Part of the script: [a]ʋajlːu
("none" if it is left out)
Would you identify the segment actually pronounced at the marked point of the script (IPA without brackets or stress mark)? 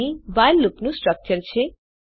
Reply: i